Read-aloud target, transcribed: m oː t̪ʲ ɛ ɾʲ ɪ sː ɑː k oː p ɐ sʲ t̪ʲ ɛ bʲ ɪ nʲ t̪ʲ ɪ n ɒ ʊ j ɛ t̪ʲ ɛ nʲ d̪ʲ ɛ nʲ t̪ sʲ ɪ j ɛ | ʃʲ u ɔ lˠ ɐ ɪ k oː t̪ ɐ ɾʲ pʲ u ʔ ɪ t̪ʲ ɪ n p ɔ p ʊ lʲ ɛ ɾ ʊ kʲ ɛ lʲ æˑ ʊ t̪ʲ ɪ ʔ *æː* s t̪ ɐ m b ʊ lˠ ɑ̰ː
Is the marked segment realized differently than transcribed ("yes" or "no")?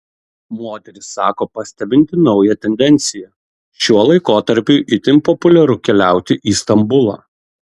yes